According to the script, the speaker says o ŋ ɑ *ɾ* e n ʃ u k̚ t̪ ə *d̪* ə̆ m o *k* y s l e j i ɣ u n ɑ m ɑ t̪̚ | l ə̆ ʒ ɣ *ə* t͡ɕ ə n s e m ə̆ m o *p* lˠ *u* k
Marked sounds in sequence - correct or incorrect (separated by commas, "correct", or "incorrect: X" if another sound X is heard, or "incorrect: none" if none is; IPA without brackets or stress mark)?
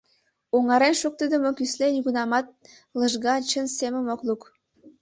correct, correct, correct, incorrect: ɑ, incorrect: k, correct